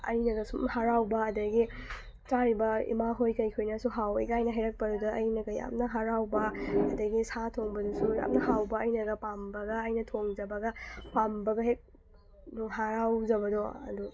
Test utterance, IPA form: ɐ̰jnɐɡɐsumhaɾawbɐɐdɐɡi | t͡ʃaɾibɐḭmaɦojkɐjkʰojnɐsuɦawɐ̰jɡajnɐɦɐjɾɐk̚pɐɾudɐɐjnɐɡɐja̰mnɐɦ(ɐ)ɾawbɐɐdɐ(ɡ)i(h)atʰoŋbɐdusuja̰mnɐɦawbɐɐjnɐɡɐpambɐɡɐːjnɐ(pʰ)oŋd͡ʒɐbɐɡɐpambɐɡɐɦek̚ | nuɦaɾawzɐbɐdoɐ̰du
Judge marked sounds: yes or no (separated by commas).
no, yes, no, no